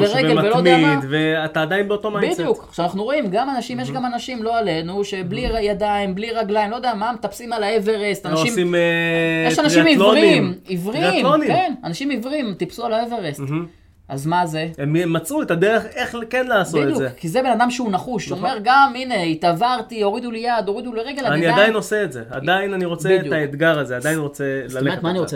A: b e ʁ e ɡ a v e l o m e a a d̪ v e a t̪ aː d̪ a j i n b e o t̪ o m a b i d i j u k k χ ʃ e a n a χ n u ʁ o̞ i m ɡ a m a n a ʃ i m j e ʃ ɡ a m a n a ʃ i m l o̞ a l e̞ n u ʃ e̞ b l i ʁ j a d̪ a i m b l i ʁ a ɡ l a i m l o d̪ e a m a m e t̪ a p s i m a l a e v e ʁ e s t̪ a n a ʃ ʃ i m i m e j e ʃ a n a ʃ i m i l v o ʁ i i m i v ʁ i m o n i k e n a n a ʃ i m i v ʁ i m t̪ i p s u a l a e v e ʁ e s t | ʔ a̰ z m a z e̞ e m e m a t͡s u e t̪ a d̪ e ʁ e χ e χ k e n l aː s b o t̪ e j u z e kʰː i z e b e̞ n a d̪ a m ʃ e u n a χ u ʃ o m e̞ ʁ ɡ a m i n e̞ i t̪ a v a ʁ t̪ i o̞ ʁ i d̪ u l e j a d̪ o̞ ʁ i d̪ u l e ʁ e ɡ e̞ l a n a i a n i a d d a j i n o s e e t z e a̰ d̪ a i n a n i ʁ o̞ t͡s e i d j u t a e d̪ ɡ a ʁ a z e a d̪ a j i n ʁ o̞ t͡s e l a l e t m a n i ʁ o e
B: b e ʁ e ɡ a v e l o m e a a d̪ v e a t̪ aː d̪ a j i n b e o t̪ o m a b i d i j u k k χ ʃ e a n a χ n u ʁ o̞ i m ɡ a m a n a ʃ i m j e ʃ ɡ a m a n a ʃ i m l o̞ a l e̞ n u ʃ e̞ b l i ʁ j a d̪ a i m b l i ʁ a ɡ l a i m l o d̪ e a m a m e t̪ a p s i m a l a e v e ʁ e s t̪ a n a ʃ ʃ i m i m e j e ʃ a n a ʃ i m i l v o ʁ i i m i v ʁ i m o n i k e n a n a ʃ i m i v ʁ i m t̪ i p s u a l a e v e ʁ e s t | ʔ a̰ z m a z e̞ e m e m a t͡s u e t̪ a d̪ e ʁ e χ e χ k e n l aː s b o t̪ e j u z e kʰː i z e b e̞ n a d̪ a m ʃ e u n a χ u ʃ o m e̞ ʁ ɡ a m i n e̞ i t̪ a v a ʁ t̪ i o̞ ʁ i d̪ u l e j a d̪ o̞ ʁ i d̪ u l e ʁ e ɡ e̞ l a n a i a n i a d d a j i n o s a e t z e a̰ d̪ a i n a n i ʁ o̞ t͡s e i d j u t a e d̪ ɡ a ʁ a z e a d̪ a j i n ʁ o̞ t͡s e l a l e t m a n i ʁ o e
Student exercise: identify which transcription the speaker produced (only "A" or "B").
A